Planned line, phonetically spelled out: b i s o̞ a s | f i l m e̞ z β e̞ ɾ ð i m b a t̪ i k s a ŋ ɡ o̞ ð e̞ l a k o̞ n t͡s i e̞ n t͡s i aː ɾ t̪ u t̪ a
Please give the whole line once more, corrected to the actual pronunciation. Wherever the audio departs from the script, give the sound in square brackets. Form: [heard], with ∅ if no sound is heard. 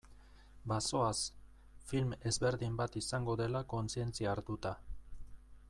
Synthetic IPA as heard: b [a] s o̞ a s | f i l m e̞ z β e̞ ɾ ð i m b a t̪ i [∅] s a ŋ ɡ o̞ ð e̞ l a k o̞ n t͡s i e̞ n t͡s i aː ɾ t̪ u t̪ a